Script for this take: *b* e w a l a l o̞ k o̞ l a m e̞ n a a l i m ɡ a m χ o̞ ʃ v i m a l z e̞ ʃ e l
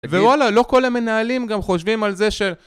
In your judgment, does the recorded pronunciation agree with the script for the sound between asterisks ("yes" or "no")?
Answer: no